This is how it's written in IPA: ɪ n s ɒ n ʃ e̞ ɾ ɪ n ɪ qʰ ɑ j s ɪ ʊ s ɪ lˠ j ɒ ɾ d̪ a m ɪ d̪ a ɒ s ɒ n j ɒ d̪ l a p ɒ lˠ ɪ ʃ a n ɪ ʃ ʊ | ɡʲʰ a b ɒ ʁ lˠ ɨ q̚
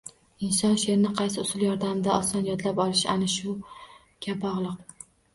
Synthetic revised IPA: ɪ n s ɒ n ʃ e̞ ɾ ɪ n ɪ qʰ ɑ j s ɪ ʊ s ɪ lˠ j ɒ ɾ d̪ a m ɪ d̪ a ɒ s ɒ n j ɒ d̪ l a p ɒ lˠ ɪ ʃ a n ɪ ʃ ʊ | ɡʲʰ a b ɒ ʁ lˠ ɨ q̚